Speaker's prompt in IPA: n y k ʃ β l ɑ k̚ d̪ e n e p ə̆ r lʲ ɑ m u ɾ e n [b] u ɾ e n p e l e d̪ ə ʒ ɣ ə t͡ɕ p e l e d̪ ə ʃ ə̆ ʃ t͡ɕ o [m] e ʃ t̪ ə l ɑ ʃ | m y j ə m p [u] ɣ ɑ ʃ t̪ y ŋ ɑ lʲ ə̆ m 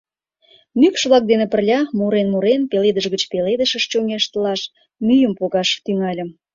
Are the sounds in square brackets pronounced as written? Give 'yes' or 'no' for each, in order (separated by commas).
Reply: no, no, no